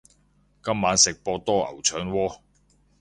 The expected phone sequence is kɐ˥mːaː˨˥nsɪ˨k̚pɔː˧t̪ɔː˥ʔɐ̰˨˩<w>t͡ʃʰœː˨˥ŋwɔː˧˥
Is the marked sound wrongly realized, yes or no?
no